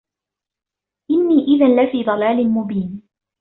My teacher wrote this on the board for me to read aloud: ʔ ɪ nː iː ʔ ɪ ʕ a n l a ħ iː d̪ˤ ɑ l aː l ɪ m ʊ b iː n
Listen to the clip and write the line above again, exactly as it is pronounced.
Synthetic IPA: ʔ ɪ nː iː ʔ ɪ ð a n l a f iː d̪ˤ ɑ l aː l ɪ m ʊ b iː n